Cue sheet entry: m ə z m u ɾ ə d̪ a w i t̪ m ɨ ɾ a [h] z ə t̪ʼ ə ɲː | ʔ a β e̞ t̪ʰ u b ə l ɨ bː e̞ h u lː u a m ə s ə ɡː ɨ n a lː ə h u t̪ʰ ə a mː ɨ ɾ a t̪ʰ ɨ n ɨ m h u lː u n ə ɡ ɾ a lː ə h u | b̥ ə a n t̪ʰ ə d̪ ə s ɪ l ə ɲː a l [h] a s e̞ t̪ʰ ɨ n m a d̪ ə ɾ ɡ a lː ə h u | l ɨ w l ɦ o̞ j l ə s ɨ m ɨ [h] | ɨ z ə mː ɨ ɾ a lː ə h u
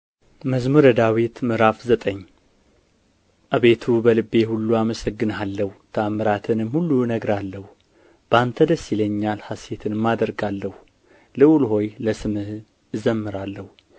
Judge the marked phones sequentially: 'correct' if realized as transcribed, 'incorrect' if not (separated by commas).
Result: incorrect, correct, correct